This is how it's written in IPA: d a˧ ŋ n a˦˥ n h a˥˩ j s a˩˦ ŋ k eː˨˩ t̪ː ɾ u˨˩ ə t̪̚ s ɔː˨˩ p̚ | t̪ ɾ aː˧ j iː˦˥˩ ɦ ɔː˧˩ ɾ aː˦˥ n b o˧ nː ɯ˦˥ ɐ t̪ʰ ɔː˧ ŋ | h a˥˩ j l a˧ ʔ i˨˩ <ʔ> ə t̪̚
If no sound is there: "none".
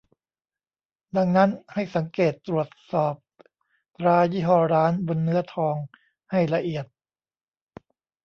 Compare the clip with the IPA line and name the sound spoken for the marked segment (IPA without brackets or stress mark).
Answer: none